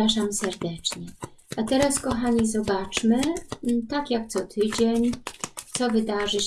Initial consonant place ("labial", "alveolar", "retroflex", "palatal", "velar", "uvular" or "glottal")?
retroflex